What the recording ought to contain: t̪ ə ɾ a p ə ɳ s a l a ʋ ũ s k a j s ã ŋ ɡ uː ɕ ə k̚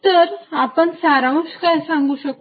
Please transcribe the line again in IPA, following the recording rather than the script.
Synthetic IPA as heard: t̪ ə ɾ a p ə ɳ s a ɾ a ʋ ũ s k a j s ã ŋ ɡ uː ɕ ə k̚